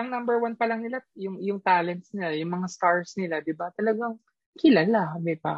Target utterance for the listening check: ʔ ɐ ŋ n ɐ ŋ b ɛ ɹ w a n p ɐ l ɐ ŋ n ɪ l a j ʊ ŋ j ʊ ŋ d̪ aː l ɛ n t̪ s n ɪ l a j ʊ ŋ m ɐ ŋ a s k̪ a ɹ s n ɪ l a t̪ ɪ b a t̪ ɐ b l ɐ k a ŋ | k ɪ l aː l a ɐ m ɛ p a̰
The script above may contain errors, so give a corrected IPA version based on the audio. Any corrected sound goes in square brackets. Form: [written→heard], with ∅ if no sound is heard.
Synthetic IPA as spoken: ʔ ɐ ŋ n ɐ [ŋ→m] b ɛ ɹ w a n p ɐ l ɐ ŋ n ɪ l a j ʊ ŋ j ʊ ŋ [d̪→t̪] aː l ɛ n t̪ s n ɪ l a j ʊ ŋ m ɐ ŋ a s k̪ a ɹ s n ɪ l a [t̪→d̪] ɪ b a t̪ ɐ [b→∅] l ɐ [k→ɡ] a ŋ | k ɪ l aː l a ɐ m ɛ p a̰